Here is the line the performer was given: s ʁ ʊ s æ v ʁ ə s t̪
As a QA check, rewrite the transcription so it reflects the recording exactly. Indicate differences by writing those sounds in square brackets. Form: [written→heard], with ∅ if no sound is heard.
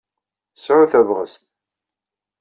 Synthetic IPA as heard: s [ʁ→ʕ] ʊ [s→θ] æ v ʁ ə s t̪